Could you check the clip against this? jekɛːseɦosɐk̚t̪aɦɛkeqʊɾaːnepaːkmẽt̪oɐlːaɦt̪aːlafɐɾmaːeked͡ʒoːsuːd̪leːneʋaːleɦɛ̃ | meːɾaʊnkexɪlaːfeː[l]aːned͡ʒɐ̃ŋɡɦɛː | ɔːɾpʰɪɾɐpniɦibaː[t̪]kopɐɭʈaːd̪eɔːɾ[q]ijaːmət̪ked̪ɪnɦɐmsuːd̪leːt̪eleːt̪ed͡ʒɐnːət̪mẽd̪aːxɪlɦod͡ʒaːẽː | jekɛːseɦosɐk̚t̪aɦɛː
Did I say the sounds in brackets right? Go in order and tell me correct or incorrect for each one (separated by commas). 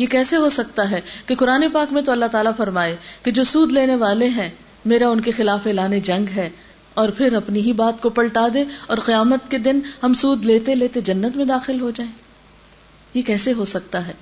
correct, correct, correct